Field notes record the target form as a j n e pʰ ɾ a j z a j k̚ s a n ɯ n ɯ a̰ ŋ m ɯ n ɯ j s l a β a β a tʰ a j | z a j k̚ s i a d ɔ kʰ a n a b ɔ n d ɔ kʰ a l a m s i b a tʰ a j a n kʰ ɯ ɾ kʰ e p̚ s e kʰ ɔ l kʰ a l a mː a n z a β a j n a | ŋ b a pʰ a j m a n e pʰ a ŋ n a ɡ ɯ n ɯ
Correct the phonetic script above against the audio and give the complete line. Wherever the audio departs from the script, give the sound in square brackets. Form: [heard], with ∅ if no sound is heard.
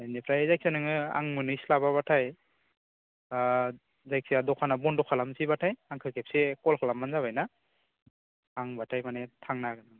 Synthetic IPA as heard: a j n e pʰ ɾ a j z a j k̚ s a n ɯ [ŋ] ɯ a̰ ŋ m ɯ n ɯ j s l a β a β a tʰ a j | z a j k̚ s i a d ɔ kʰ a n a b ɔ n d ɔ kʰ a l a m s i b a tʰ a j a [ŋ] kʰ ɯ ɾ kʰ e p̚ s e [k] ɔ l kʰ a l a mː a n z a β a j n a | ŋ b a [tʰ] a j m a n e [tʰ] a ŋ n a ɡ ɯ n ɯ